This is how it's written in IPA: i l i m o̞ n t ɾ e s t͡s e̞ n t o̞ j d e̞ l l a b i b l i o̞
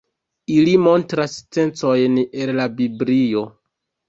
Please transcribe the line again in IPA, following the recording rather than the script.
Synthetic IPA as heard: i l i m o̞ n t ɾ a s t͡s e̞ n t͡s o̞ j n e̞ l l a b i b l i o̞